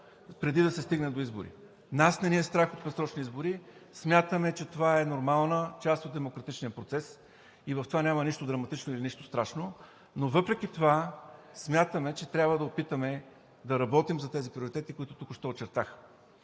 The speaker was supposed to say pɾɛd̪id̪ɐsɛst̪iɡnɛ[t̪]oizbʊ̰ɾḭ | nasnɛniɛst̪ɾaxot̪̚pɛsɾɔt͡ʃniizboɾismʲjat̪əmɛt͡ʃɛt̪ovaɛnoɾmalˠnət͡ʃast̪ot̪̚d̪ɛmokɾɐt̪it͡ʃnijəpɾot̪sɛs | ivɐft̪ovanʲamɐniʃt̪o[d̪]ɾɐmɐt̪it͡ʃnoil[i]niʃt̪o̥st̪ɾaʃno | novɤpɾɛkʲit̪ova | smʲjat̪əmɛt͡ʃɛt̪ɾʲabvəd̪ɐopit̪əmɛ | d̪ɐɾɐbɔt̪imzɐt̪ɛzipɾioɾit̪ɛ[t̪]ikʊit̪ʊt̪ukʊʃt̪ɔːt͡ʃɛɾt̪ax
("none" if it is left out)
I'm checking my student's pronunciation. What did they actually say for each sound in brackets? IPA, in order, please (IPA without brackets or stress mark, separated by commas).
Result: d̪, d̪, i, t̪